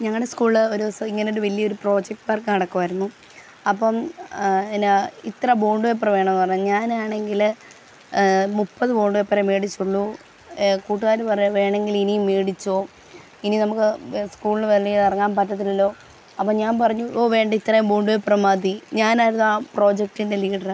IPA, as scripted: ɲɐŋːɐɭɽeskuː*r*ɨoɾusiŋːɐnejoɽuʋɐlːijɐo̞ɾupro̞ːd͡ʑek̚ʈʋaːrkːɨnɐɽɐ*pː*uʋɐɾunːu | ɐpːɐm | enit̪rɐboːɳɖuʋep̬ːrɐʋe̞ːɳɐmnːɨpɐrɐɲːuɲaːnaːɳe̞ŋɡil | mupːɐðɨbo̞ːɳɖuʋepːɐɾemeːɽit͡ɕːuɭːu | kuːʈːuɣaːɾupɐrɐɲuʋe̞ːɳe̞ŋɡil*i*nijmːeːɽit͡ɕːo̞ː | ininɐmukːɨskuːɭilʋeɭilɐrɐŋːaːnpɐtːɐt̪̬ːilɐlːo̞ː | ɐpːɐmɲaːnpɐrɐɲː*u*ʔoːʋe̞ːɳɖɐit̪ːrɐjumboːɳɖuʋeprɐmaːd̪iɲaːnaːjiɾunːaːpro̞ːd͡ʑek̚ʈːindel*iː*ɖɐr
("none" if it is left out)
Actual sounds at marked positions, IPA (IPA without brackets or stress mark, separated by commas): ɭ, kː, i, u, iː